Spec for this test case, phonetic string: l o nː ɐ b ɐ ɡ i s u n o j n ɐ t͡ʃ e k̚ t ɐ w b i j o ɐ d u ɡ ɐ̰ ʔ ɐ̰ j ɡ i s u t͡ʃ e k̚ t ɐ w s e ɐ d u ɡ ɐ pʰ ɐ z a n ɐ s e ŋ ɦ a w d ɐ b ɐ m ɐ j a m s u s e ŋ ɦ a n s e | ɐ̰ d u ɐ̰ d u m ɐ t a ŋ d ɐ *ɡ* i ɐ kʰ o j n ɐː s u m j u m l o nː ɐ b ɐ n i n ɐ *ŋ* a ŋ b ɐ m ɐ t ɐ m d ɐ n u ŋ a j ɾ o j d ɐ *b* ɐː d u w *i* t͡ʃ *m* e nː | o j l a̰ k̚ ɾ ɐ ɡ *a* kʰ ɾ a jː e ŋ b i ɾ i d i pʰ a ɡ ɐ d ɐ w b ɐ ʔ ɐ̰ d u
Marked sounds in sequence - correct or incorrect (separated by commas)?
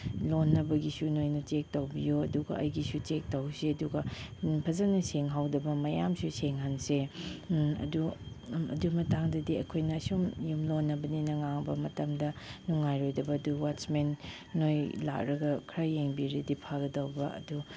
incorrect, correct, correct, incorrect, correct, incorrect